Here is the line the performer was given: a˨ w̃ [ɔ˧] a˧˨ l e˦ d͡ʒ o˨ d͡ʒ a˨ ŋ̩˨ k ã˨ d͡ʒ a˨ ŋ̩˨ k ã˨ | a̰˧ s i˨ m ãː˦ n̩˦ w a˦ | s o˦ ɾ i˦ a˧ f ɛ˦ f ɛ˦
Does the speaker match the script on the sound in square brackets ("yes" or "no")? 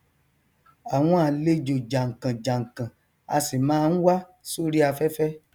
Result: no